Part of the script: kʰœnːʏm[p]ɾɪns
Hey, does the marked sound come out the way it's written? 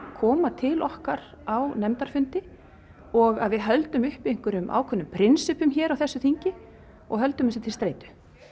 no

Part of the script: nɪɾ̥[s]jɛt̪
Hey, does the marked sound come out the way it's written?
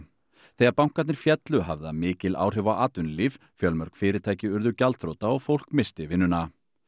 no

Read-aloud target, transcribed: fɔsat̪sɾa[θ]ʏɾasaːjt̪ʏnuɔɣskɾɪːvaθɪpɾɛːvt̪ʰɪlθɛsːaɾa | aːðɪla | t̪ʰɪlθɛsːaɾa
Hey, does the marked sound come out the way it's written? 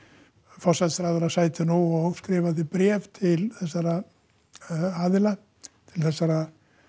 no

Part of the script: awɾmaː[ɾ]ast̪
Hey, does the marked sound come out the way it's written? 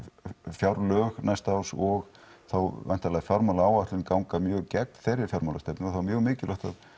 no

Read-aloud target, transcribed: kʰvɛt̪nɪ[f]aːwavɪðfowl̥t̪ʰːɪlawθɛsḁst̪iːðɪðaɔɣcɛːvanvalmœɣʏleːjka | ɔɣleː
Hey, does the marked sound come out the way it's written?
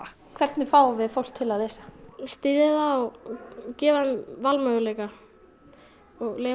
yes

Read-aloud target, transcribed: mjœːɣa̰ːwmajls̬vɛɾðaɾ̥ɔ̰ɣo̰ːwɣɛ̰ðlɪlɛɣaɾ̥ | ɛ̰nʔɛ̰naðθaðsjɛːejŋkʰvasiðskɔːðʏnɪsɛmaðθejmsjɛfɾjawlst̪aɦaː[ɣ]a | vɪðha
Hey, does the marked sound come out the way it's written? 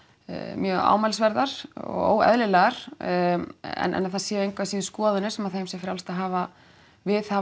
no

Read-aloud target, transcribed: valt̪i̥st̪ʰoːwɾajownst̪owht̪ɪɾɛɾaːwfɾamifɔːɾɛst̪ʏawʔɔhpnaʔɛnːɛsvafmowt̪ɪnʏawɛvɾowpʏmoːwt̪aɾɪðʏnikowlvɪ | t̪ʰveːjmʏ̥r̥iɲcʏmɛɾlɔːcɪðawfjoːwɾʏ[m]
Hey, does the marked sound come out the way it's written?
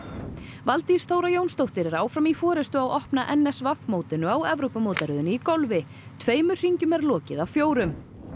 yes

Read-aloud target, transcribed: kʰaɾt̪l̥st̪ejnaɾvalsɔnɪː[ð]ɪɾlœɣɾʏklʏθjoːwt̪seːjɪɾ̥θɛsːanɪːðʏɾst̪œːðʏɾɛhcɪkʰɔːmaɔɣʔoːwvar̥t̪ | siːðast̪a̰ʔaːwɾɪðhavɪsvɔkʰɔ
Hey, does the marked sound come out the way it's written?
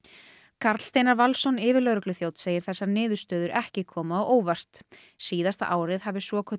no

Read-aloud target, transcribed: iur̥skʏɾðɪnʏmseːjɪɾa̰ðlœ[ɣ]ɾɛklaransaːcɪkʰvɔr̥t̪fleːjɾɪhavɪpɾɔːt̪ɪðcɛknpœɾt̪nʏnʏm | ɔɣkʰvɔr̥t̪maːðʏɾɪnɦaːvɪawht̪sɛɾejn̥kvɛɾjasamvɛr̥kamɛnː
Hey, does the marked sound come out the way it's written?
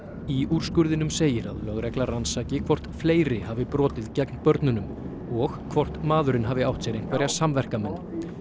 yes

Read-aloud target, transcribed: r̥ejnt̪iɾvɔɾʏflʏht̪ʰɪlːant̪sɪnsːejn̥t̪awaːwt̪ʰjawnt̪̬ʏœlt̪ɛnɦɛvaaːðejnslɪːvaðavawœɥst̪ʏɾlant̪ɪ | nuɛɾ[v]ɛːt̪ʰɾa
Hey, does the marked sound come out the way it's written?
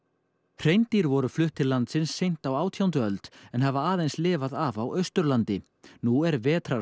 yes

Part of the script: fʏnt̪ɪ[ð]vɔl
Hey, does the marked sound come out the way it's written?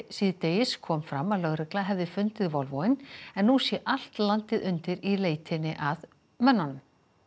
yes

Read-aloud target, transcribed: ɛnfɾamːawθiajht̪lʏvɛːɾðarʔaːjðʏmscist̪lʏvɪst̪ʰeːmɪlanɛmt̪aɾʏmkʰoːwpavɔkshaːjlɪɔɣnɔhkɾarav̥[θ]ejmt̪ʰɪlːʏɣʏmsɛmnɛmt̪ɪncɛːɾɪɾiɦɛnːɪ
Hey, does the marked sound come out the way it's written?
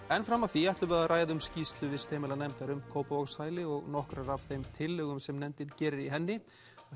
yes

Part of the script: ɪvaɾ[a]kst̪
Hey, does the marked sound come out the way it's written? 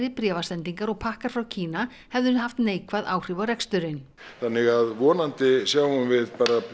no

